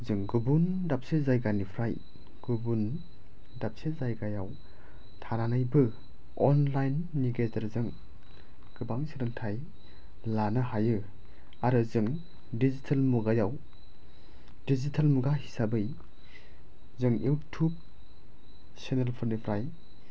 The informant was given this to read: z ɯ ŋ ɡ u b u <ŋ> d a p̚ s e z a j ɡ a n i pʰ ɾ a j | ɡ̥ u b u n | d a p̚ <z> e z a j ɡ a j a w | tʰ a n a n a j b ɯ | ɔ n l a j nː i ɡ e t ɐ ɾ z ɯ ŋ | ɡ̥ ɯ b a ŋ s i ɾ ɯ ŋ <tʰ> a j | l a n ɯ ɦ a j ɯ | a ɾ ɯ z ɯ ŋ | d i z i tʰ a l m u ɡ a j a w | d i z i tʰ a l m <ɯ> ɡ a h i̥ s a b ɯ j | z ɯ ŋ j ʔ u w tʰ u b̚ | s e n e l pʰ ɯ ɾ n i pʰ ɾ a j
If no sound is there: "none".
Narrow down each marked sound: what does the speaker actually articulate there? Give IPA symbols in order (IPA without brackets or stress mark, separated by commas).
n, s, tʰ, u